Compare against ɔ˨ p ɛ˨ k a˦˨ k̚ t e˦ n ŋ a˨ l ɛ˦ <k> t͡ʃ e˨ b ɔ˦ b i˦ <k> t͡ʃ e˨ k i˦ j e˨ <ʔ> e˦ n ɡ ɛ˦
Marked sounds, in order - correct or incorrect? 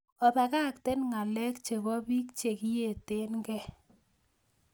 correct, correct, incorrect

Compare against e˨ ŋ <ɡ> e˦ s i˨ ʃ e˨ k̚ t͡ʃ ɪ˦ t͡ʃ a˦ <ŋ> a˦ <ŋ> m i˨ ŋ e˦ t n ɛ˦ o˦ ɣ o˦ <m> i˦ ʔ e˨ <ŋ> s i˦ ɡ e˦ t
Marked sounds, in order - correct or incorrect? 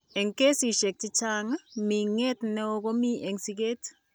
incorrect, correct, incorrect, correct, correct

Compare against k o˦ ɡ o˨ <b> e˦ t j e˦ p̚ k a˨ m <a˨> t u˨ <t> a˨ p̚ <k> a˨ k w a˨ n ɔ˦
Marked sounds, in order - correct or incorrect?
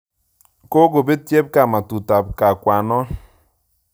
correct, correct, correct, correct

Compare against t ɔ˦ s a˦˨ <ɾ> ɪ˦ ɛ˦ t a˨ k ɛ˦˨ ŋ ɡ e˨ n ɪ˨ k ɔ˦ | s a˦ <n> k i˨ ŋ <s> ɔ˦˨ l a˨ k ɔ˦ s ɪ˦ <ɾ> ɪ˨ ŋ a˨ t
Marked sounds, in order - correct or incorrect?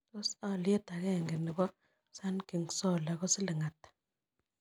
incorrect, correct, correct, incorrect

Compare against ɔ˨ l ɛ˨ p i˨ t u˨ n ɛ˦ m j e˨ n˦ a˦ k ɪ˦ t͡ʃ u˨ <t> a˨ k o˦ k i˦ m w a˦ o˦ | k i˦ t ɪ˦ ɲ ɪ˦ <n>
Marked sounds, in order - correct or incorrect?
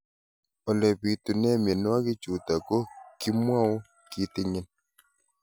correct, correct

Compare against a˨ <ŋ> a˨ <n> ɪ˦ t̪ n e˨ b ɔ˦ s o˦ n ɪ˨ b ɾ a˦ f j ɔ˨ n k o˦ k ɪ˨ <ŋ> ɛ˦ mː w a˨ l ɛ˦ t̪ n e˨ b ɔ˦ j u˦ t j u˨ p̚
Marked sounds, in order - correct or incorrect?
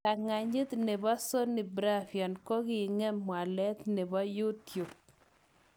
correct, incorrect, correct

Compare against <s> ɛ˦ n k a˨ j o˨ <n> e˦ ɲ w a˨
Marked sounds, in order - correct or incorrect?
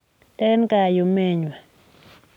incorrect, incorrect

